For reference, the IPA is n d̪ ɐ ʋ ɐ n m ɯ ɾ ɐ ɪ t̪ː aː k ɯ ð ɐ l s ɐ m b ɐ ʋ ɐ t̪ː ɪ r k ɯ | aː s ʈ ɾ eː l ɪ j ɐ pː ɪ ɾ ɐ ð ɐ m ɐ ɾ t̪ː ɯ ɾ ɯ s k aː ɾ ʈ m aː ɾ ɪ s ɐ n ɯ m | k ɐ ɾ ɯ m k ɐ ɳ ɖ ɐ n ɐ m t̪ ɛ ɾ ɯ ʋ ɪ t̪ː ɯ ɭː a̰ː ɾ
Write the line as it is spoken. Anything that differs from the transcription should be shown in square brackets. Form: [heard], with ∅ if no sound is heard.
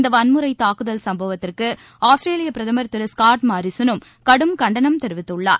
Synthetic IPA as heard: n d̪ ɐ ʋ ɐ n m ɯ ɾ ɐ ɪ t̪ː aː k ɯ ð ɐ l s ɐ m b ɐ ʋ ɐ t̪ː ɪ r k ɯ | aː s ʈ ɾ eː l ɪ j ɐ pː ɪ ɾ ɐ ð ɐ m ɐ ɾ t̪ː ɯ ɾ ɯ s k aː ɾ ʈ m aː ɾ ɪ s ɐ n ɯ m | k ɐ [ɽ] ɯ m k ɐ ɳ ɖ ɐ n ɐ m t̪ ɛ ɾ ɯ ʋ ɪ t̪ː ɯ ɭː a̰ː ɾ